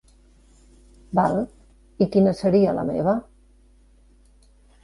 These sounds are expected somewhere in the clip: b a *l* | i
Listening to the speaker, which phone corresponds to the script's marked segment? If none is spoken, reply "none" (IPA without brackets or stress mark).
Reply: l